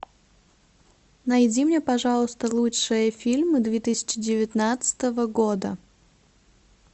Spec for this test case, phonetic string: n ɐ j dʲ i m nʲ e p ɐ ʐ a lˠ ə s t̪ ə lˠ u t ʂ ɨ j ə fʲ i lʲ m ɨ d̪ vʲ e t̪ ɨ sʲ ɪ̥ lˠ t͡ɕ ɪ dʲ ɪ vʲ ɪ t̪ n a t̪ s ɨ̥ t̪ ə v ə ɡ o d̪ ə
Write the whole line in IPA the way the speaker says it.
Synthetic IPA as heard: n ɐ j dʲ i m nʲ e p ɐ ʐ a lˠ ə s t̪ ə lˠ u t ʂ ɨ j ə fʲ i lʲ m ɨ d̪ vʲ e t̪ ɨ sʲ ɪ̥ t͡ɕ ɪ dʲ ɪ vʲ ɪ t̪ n a t̪ s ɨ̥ t̪ ə v ə ɡ o d̪ ə